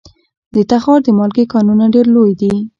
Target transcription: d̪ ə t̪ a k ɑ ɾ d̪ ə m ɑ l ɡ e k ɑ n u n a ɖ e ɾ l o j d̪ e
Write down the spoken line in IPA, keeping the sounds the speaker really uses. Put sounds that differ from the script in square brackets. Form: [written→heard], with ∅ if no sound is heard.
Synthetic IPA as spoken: d̪ ə t̪ a [k→x] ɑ ɾ d̪ ə m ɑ l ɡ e k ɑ n u n a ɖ e ɾ l o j d̪ [e→i]